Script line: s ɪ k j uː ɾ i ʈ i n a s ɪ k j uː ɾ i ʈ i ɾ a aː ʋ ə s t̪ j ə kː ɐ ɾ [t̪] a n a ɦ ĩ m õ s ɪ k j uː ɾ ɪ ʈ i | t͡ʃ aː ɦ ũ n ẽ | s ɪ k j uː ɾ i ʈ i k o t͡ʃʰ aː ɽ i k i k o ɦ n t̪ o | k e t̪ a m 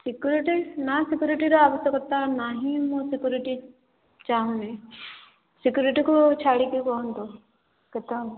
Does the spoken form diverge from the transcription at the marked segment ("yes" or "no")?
no